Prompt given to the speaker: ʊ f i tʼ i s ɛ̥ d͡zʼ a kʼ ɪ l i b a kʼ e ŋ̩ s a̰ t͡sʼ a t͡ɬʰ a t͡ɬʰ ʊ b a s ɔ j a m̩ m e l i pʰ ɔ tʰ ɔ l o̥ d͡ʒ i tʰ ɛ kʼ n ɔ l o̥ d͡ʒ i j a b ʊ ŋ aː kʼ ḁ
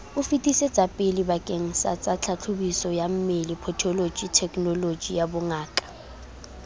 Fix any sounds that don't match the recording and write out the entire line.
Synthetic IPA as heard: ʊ f i tʼ i s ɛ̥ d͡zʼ a pʼ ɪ l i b a kʼ e ŋ̩ s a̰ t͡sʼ a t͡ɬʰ a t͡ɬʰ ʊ b i s ɔ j a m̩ m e l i pʰ ɔ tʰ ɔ l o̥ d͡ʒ i tʰ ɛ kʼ n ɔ l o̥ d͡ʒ i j a b ʊ ŋ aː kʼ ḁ